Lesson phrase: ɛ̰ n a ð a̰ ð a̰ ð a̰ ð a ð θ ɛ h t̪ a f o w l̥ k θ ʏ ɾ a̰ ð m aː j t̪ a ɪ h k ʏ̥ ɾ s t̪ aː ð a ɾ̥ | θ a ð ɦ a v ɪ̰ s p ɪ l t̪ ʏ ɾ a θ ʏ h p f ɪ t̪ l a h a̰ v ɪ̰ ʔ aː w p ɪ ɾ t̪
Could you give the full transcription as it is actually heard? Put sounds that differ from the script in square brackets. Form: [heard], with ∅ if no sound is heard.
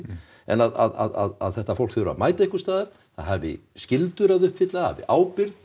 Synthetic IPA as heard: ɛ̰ n a ð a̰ ð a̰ ð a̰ ð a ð θ ɛ h t̪ a f o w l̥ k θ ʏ ɾ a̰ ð m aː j t̪ a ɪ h k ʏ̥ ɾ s t̪ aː ð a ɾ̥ | θ a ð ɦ a v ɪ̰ s [c] ɪ l t̪ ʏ ɾ a [ð] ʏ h p f ɪ t̪ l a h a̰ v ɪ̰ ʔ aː w p ɪ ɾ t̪